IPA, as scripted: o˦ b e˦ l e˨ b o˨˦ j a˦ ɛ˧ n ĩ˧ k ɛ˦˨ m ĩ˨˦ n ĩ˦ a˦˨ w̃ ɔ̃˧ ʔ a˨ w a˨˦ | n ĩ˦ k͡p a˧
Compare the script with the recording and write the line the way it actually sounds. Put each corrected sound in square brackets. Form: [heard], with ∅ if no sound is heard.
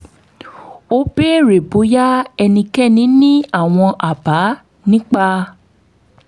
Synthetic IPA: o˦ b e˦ [ɾ] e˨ b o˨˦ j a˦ ɛ˧ n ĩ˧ k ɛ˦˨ [n] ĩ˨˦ n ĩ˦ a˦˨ w̃ ɔ̃˧ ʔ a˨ [b] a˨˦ | n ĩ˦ k͡p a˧